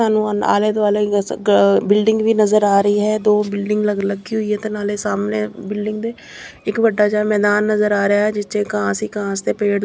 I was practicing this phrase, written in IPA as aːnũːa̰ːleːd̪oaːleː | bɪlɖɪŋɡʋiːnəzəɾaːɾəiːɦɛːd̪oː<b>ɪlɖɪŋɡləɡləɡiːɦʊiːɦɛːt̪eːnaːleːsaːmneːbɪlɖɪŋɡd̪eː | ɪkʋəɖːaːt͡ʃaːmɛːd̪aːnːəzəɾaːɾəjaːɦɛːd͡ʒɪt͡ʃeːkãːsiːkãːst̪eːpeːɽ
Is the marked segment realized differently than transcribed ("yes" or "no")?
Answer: no